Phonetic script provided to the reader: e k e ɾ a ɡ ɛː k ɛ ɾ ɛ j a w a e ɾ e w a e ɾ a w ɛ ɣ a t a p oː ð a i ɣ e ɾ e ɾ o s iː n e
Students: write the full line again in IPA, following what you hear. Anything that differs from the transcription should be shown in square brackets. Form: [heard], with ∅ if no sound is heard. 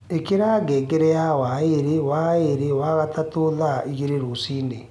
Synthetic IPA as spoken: e k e ɾ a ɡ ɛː [ɡ] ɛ ɾ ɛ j a w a e ɾ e w a e ɾ [e] w [a] ɣ a t a [t] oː ð a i ɣ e ɾ e ɾ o s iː n e